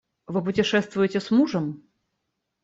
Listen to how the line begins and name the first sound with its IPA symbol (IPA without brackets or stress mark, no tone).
v